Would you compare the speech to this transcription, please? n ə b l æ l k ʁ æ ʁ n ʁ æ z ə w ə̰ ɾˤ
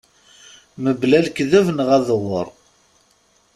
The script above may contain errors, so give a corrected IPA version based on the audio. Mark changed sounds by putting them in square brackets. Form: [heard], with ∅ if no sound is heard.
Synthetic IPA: [m] ə b l æ l k [ð] æ [v] n ʁ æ [ð] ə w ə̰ ɾˤ